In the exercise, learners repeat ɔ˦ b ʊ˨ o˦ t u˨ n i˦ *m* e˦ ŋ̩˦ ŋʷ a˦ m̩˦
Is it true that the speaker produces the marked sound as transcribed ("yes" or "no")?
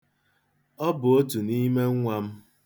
yes